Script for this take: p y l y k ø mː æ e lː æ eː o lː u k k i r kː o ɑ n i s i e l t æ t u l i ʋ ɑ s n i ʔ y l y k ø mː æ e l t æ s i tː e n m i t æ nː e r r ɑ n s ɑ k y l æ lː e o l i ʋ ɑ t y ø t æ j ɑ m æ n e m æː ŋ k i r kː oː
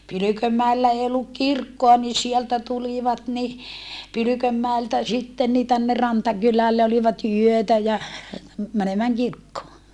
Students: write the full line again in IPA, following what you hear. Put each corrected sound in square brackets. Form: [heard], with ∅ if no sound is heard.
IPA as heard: p y l y k ø mː æ e lː æ eː o lː u k k i r kː o ɑ n i s i e l t æ t u l i ʋ ɑ [t] n i [p] y l y k ø mː æ e l t æ s i tː e n [n] i t æ nː e r r ɑ n [t] ɑ k y l æ lː e o l i ʋ ɑ t y ø t æ j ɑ m æ n e m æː ŋ k i r kː oː

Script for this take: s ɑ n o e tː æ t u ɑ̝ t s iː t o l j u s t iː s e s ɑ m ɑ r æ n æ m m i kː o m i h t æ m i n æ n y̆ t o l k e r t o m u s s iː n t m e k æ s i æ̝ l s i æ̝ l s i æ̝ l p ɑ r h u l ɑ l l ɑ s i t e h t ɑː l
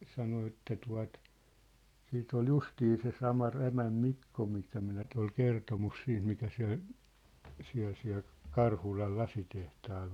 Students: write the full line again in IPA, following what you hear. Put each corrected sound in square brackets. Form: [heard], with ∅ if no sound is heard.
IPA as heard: s ɑ n o e tː æ t u ɑ̝ t s iː t o l j u s t iː s e s ɑ m ɑ r æ [m] æ m m i kː o m i [s] t æ m i n æ n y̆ t o l k e r t o m u s s iː n t m [i] k æ s i æ̝ l s i æ̝ l s i æ̝ l [k] ɑ r h u l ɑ l l ɑ s i t e h t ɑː l

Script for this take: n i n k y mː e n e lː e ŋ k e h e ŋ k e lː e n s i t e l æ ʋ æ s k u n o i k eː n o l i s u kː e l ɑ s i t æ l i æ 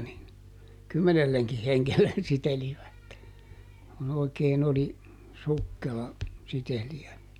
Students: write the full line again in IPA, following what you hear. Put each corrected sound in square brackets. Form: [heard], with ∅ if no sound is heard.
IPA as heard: n i n k y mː e n e lː e ŋ k [i] h e ŋ k e lː e n s i t e l [i] ʋ æ [t] k u n o i k eː n o l i s u kː e l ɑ s i t [e] l i æ

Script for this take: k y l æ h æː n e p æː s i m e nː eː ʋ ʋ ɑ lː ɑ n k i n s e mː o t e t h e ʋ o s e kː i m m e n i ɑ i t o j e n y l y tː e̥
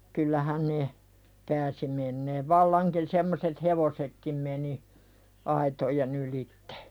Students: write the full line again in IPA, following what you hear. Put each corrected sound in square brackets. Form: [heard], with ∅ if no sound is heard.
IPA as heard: k y [lː] æ h [æ] n e p æː s i m e nː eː ʋ ʋ ɑ lː ɑ [ŋ] k i n s e mː o [s] e t h e ʋ o s e kː i m m e n i ɑ i t o j e n y l [i] tː e̥

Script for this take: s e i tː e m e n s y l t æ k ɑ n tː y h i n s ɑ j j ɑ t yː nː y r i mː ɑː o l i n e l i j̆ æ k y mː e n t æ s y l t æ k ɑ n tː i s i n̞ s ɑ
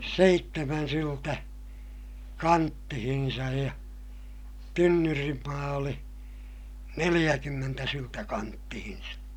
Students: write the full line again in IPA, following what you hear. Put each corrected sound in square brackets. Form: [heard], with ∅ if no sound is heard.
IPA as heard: s e i tː e m [æ] n s y l t æ k ɑ n tː [i] h i n s ɑ j j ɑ t [y] nː y r i mː ɑː o l i n e l i j̆ æ k y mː e n t æ s y l t æ k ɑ n tː i [h] i n̞ s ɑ

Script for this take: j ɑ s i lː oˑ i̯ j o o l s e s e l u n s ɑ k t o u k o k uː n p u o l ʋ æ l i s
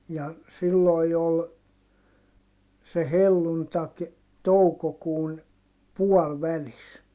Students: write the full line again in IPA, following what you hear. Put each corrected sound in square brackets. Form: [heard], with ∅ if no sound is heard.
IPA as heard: j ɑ s i lː oˑ i̯ j o o l s e [h] e [lː] u n [t] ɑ k t o u k o k uː n p u [ɔ] l ʋ æ l i s

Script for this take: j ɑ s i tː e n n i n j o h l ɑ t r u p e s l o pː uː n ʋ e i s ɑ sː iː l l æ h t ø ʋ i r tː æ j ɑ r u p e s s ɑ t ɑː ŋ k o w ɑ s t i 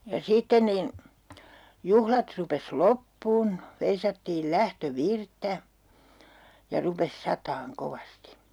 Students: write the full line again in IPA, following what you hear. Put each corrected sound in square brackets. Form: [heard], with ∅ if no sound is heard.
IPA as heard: j ɑ s i tː e n n i n j [u] h l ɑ t r u p e s l o pː uː n ʋ e i s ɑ [tː] iː l l æ h t ø ʋ i r tː æ j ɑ r u p e s s ɑ t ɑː ŋ k o [ʋ] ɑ s t i

